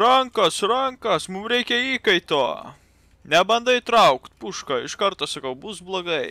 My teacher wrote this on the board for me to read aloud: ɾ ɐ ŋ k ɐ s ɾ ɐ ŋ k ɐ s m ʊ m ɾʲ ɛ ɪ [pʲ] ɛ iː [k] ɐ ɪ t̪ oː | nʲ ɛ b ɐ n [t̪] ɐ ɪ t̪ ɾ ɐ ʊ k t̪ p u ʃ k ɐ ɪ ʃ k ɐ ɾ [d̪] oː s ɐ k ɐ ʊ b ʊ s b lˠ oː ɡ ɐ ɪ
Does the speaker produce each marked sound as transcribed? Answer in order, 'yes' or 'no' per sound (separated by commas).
no, yes, no, no